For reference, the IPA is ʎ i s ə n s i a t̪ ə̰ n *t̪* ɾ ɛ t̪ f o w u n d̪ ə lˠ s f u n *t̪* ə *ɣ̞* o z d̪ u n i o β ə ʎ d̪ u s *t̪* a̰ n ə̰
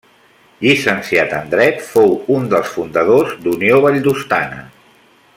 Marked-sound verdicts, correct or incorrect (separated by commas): incorrect, incorrect, incorrect, correct